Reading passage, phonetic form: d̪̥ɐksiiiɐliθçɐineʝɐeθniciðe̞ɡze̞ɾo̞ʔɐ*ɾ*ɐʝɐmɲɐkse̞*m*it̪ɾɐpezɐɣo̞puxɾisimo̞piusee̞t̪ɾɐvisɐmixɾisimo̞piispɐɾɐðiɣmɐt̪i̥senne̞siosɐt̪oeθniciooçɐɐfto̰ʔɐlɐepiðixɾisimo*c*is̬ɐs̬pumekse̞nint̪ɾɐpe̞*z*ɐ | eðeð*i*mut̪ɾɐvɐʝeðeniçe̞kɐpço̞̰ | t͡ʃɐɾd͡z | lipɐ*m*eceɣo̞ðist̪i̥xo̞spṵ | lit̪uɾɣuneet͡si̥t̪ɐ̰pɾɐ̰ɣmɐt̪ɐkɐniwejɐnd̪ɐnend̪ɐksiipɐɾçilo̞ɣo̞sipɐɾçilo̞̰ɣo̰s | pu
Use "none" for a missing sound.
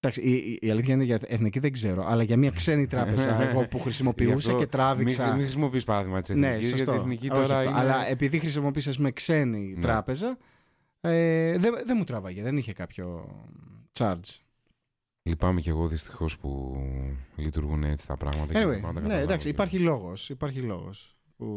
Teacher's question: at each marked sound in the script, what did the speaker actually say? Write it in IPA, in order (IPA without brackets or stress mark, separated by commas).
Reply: l, n, p, z, e, m